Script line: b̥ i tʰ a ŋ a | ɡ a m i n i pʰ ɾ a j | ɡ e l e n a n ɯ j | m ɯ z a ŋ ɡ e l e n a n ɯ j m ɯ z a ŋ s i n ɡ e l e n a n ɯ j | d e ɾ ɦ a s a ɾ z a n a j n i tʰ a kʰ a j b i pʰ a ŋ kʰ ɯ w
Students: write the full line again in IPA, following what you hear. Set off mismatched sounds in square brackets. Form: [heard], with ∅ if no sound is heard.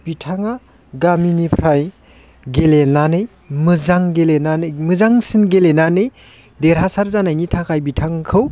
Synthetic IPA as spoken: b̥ i tʰ a ŋ a | ɡ a m i n i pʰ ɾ a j | ɡ e l e n a n ɯ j | m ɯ z a ŋ ɡ e l e n a n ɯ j m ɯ z a ŋ s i n ɡ e l e n a n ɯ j | d e ɾ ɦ a s a ɾ z a n a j n i tʰ a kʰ a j b i [tʰ] a ŋ kʰ ɯ w